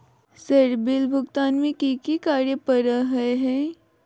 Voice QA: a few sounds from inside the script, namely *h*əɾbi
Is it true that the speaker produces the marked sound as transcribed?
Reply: no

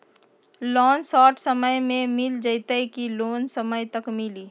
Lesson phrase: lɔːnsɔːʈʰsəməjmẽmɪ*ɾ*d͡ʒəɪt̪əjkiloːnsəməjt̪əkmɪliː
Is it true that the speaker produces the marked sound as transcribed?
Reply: no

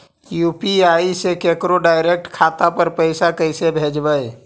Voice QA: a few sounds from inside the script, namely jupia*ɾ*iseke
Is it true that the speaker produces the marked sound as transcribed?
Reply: no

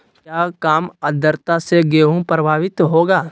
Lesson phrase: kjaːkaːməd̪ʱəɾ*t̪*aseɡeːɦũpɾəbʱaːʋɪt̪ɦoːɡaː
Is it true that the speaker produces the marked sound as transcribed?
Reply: yes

